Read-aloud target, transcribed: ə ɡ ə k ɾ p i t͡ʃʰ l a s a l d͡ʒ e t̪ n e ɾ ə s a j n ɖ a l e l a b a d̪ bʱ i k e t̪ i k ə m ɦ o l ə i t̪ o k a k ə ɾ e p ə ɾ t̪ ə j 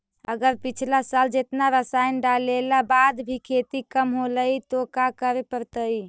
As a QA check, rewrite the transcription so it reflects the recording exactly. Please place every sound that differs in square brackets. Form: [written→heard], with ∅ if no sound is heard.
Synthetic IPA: ə ɡ ə [k→∅] ɾ p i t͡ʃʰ l a s a l d͡ʒ e t̪ n [e→a] ɾ ə s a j n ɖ a l e l a b a d̪ bʱ i [k→kʰ] e t̪ i k ə m ɦ o l ə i t̪ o k a k ə ɾ e p ə ɾ t̪ ə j